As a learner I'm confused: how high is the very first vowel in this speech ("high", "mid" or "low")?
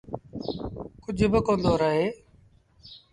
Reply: high